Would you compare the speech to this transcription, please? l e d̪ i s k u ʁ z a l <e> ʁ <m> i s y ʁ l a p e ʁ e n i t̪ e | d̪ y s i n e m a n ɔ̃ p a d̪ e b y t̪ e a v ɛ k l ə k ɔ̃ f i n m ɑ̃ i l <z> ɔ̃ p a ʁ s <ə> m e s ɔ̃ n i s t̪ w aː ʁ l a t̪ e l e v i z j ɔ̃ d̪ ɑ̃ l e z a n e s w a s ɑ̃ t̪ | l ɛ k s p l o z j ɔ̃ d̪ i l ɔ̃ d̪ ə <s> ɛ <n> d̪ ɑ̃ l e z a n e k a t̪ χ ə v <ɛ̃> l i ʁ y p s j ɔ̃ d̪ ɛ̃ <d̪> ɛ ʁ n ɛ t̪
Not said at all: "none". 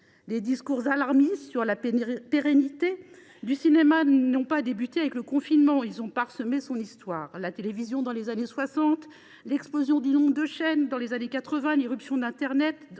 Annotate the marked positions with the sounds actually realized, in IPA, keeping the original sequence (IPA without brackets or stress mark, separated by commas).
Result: a, m, z, ə, ʃ, n, ɛ̃, t̪